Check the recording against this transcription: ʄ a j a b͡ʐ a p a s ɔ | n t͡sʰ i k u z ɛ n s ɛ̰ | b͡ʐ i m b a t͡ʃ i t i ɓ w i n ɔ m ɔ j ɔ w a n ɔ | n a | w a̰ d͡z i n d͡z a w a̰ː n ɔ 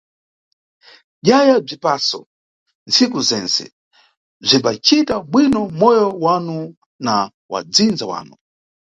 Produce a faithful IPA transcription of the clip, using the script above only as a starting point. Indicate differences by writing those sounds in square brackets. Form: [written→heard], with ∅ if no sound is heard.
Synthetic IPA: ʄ a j a b͡ʐ [a→i] p a s ɔ | n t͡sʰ i k u z ɛ n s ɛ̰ | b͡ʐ i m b a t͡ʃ i t [i→a] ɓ w i n ɔ m ɔ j ɔ w a n [ɔ→u] | n a | w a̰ d͡z i n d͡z a w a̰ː n [ɔ→u]